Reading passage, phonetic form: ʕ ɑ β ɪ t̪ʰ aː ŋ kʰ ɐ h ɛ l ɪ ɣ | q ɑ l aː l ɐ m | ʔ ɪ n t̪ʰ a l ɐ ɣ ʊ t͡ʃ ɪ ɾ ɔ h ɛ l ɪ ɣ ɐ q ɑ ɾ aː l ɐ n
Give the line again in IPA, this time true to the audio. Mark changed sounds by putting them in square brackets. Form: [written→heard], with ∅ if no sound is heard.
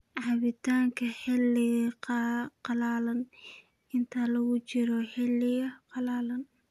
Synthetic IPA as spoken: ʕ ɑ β ɪ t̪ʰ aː ŋ kʰ ɐ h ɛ l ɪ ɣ | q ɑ l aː l ɐ [m→n] | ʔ ɪ n t̪ʰ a l ɐ ɣ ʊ t͡ʃ ɪ ɾ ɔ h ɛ l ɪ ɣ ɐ q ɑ [ɾ→l] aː l ɐ n